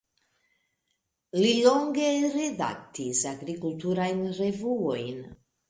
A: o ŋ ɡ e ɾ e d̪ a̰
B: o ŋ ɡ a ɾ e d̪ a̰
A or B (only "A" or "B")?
A